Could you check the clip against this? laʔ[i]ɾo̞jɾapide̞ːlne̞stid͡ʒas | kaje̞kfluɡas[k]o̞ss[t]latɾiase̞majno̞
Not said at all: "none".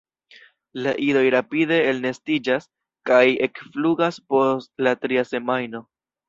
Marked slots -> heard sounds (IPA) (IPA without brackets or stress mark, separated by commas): i, p, t